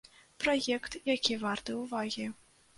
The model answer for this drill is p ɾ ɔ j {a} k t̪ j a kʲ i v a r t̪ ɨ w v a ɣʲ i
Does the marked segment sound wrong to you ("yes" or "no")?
yes